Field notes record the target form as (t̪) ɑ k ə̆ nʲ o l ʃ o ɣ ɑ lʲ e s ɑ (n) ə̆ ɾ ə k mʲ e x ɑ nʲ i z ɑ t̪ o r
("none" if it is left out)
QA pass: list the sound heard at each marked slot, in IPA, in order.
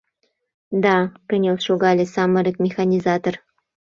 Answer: d̪, m

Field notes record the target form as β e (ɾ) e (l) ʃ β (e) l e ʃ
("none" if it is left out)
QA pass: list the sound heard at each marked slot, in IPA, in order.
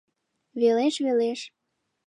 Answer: l, none, e

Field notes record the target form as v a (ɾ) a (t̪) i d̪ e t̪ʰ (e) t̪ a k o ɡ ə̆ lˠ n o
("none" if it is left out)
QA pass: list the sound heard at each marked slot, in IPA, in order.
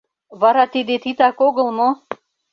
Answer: ɾ, t̪, i

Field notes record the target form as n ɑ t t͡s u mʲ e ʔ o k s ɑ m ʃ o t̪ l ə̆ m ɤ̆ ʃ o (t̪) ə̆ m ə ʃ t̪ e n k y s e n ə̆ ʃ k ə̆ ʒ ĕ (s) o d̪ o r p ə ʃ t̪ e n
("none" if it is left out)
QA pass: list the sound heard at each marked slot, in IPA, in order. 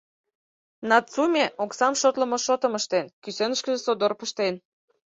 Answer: t̪, s

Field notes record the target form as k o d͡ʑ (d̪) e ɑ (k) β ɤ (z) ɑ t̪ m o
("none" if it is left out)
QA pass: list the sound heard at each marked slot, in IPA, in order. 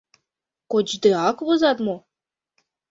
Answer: d̪, k, z

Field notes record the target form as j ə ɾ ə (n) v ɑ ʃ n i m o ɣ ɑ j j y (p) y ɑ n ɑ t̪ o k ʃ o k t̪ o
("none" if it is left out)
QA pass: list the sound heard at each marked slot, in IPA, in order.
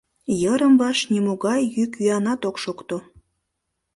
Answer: m, k

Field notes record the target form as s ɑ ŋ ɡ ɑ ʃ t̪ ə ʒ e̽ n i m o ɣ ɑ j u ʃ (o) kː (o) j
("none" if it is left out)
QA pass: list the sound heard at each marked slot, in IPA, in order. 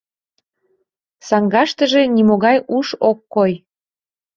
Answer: o, o

